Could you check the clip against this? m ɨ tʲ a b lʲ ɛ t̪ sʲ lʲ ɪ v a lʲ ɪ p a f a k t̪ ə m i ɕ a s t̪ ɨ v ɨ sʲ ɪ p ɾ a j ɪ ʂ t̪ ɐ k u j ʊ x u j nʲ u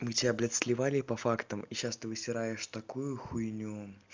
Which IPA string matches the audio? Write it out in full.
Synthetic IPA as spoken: m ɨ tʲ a b lʲ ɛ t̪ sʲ lʲ ɪ v a lʲ ɪ p ɐ f a k t̪ ə m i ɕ a s t̪ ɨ v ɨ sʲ ɪ ɾ a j ɪ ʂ t̪ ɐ k u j ʊ x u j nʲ u